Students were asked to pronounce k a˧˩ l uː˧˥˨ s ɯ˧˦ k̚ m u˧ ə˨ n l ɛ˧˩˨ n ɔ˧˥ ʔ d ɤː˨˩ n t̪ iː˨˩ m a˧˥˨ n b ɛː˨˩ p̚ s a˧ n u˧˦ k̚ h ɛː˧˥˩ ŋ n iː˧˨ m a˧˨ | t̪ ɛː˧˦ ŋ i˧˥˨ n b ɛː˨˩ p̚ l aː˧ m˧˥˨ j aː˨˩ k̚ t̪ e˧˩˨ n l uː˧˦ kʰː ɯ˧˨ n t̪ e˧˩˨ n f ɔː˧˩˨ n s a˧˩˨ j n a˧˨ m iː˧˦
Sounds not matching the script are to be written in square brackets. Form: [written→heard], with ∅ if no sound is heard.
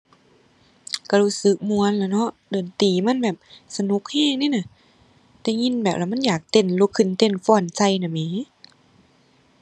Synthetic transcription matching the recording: k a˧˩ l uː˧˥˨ s ɯ˧˦ k̚ m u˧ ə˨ n l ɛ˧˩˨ n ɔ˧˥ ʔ d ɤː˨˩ n t̪ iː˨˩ m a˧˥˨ n b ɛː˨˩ p̚ s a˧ n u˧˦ k̚ h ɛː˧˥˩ ŋ n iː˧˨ [m→n] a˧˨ | t̪ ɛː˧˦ ŋ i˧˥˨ n b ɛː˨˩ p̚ l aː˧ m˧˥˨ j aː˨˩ k̚ t̪ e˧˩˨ n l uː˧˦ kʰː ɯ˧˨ n t̪ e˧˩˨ n f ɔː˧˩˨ n s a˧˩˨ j n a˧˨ m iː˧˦